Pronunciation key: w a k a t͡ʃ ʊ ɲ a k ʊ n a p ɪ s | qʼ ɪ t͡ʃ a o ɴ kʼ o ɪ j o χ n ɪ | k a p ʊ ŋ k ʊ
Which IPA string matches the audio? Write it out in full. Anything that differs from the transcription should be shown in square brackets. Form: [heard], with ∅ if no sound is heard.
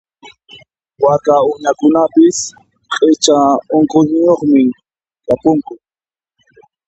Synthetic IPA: w a k a [∅] ʊ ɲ a k ʊ n a p ɪ s | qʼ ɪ t͡ʃ a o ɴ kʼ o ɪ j o χ [m] ɪ | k a p ʊ ŋ k ʊ